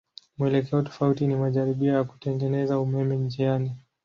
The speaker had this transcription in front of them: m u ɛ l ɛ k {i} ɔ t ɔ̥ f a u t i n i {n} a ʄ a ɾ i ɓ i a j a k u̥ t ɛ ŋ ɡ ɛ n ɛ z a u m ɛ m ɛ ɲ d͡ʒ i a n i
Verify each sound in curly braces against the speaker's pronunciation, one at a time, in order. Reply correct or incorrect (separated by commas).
incorrect, incorrect